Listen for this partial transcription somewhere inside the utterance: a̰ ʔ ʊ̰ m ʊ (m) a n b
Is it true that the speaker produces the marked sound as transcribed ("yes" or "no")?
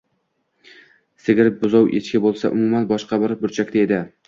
yes